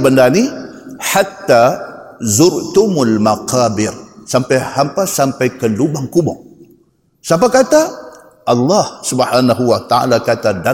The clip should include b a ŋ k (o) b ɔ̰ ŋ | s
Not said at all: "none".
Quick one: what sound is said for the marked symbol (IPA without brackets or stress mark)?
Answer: u